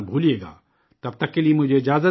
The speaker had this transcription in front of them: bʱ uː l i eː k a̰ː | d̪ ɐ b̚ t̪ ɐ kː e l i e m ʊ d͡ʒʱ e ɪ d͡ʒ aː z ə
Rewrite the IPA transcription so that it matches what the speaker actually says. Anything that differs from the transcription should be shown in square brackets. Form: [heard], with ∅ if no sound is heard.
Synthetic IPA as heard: bʱ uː l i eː [ɡ] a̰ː | [t̪] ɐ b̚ t̪ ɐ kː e l i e m ʊ d͡ʒʱ e ɪ d͡ʒ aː z ə